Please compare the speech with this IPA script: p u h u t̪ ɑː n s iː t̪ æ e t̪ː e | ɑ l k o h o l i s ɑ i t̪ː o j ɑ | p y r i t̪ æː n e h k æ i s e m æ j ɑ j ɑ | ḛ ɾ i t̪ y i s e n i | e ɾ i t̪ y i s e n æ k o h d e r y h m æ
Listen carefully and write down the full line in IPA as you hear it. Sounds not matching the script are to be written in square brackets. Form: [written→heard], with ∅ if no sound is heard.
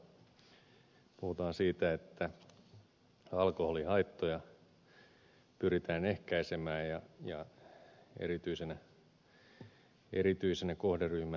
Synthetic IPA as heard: p u h u t̪ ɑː n s iː t̪ æ e t̪ː [e→æ] | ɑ l k o h o l i [s→h] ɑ i t̪ː o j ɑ | p y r i t̪ æː n e h k æ i s e m [æ→æː] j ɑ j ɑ | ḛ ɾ i t̪ y i s e n [i→æ] | e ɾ i t̪ y i s e n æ k o h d e r y h m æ